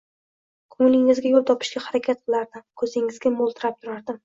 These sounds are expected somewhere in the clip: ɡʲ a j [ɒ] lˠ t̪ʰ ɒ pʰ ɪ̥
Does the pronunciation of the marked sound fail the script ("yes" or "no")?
yes